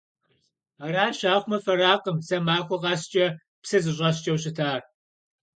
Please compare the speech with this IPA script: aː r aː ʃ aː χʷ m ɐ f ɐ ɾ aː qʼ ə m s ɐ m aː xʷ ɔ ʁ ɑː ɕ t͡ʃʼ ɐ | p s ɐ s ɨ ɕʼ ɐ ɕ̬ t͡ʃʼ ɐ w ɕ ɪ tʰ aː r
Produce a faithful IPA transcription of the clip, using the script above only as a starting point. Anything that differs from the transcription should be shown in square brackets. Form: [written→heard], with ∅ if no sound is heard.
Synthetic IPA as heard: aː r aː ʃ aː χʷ m ɐ f ɐ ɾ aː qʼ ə m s ɐ m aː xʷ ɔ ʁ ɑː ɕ t͡ʃʼ ɐ | p s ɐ [s→z] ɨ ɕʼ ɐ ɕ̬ t͡ʃʼ ɐ w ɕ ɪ tʰ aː r